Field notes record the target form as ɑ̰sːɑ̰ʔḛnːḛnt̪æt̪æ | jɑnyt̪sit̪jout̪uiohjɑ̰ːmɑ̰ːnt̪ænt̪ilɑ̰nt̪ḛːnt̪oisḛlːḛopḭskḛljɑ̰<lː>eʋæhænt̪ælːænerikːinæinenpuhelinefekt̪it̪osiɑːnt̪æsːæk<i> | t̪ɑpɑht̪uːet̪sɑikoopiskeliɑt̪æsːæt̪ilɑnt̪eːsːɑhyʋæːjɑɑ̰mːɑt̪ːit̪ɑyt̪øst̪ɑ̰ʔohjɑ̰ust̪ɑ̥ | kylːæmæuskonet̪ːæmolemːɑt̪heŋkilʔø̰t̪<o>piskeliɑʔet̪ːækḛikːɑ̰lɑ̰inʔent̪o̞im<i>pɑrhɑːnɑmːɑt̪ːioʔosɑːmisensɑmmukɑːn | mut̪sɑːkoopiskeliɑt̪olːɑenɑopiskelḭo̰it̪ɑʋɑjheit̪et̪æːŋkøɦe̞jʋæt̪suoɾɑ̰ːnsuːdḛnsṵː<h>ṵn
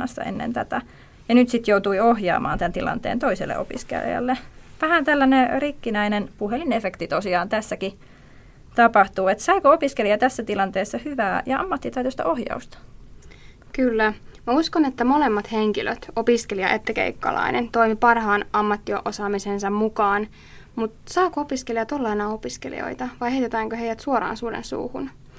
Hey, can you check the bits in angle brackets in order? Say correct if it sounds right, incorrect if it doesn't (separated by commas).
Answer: correct, correct, correct, correct, correct